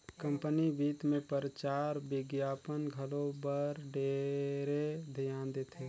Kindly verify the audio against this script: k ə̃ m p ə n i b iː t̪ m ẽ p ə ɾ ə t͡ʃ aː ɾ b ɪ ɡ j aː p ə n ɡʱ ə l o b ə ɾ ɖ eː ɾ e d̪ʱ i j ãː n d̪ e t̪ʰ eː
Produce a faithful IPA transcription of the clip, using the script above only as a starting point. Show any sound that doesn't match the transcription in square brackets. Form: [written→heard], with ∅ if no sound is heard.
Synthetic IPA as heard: k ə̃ m p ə n i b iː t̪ m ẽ p ə ɾ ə t͡ʃ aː ɾ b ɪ ɡ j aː p ə n ɡʱ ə l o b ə ɾ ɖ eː ɾ e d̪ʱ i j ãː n d̪ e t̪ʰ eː